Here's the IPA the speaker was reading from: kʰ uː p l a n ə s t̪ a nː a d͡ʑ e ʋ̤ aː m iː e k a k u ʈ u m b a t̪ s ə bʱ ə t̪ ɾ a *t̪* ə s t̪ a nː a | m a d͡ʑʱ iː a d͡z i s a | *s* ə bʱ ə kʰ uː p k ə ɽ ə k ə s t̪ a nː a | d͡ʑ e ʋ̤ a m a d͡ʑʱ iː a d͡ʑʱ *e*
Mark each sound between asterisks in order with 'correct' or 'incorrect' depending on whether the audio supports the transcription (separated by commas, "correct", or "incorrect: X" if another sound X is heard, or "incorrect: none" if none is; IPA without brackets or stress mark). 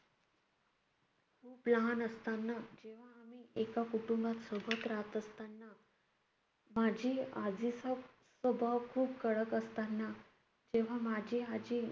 correct, correct, incorrect: i